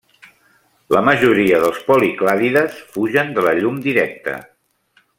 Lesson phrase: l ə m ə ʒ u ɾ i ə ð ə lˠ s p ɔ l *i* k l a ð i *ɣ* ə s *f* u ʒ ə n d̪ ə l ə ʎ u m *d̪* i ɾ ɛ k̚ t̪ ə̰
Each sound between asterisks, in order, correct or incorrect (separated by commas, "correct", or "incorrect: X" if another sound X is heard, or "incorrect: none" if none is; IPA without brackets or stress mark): correct, incorrect: ð, correct, correct